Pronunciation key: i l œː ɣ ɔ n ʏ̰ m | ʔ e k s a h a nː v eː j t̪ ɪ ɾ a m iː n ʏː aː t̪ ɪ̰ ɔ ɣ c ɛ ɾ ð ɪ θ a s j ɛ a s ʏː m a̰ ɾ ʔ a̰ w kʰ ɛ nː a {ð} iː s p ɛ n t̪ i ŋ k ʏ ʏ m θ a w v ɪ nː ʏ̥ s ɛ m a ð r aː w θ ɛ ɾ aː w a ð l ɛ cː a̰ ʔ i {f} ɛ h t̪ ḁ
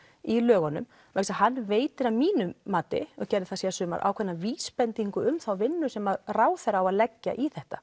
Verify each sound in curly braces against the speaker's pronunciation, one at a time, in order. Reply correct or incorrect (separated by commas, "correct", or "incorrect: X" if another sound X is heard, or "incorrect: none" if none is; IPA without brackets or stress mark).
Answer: incorrect: v, incorrect: θ